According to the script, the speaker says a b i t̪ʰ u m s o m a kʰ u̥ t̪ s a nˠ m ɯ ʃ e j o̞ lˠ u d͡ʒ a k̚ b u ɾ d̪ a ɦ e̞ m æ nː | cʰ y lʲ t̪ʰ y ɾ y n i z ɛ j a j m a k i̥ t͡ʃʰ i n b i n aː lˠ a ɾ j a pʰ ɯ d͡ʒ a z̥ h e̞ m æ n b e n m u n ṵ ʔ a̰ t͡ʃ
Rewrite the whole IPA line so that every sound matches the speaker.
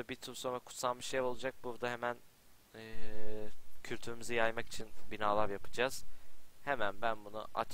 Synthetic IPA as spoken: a b i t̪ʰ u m s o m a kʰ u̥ t̪ s a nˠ m ɯ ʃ e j o̞ lˠ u d͡ʒ a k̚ b u ɾ d̪ a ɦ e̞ m æ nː | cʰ y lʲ t̪ʰ y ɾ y m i z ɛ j a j m a k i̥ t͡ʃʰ i n b i n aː lˠ a ɾ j a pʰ ɯ d͡ʒ a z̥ h e̞ m æ n b æ n b u n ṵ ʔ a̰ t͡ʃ